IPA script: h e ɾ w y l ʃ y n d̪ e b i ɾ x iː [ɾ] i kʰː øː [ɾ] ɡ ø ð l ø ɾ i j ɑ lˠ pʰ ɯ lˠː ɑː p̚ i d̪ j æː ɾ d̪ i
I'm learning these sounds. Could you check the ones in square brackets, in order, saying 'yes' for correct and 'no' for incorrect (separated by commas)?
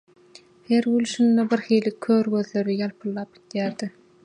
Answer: no, yes